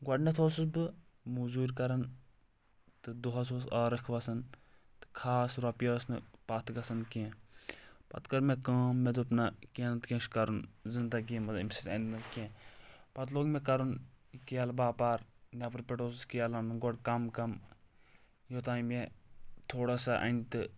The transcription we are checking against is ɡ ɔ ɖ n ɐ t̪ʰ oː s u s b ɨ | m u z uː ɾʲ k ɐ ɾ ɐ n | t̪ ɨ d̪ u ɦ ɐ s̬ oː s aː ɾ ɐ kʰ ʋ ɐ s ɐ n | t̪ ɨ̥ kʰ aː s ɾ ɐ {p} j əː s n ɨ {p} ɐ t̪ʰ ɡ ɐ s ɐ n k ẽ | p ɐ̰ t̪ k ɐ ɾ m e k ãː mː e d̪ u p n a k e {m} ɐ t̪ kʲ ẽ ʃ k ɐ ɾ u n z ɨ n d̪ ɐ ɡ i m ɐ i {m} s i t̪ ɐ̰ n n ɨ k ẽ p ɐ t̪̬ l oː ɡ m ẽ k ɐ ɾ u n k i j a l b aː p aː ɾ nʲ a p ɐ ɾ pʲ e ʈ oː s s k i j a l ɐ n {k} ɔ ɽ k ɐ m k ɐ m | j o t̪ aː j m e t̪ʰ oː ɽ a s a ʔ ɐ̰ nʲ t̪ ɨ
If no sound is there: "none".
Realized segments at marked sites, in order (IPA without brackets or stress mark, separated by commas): p, p, n, m, ɡ